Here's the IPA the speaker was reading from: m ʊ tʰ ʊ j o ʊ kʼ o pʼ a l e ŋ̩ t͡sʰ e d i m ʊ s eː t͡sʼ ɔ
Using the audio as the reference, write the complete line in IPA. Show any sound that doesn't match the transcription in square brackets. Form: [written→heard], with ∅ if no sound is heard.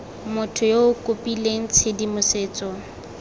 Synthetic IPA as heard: m ʊ tʰ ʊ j o ʊ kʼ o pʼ [a→i] l e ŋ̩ t͡sʰ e d i m ʊ s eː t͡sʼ ɔ